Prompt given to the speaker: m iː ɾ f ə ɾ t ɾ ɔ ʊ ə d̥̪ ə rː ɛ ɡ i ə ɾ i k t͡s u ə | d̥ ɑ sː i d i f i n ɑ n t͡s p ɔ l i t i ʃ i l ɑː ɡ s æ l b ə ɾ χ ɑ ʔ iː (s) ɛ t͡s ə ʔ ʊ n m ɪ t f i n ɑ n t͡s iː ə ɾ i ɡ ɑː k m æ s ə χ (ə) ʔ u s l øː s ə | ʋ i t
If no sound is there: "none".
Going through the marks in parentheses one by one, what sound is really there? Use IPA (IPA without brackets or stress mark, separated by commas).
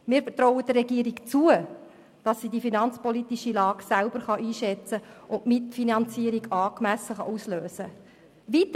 ʃ, ɑ